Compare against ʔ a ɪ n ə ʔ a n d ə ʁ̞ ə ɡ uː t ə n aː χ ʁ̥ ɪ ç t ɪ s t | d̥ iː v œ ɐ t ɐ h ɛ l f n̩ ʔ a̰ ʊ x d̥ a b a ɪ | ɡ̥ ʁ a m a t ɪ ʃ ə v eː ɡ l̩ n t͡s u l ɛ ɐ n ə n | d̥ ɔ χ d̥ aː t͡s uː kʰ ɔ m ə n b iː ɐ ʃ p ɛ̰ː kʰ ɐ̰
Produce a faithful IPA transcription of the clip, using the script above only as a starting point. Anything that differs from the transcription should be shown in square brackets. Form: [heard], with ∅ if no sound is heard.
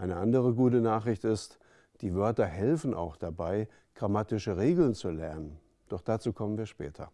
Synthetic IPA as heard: ʔ a ɪ n ə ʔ a n d ə ʁ̞ ə ɡ uː t ə n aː χ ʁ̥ ɪ ç t ɪ s t | d̥ iː v œ ɐ t ɐ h ɛ l f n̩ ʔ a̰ ʊ x d̥ a b a ɪ | ɡ̥ ʁ a m a t ɪ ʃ ə [ʁ] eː ɡ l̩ n t͡s u l ɛ ɐ n ə n | d̥ ɔ χ d̥ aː t͡s uː kʰ ɔ m ə n [v] iː ɐ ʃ p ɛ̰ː [tʰ] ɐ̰